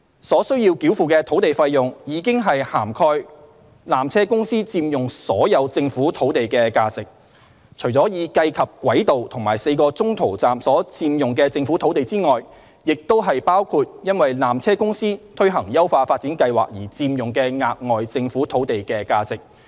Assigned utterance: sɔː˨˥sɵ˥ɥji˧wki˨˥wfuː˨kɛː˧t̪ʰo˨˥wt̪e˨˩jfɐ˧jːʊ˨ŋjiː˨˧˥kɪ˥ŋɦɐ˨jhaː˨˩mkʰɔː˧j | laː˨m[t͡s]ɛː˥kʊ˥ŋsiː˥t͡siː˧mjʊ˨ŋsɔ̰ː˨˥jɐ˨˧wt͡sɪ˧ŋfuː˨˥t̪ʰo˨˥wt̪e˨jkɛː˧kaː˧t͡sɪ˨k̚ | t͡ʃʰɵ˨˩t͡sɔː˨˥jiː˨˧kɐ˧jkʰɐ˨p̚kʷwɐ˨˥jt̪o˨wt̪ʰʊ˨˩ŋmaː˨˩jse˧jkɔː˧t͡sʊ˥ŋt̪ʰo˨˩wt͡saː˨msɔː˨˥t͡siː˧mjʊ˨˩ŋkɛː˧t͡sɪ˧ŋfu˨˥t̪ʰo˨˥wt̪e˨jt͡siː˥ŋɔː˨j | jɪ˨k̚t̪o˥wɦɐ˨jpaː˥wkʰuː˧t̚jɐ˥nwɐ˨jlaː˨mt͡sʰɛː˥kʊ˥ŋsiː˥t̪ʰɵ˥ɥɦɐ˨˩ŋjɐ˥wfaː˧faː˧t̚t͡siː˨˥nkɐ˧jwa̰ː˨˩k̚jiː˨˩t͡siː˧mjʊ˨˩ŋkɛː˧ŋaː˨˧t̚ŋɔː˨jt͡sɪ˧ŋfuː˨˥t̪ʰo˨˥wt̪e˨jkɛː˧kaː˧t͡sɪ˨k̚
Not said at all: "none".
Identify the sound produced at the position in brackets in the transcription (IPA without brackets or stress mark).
t͡sʰ